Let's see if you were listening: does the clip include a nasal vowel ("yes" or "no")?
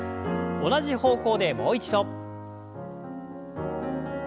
no